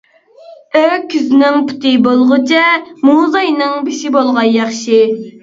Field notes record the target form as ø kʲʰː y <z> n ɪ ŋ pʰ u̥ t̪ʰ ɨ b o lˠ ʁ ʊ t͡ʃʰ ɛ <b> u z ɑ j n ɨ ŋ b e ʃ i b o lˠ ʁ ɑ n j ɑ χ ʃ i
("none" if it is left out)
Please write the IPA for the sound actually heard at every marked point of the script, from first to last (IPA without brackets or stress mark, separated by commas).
z, m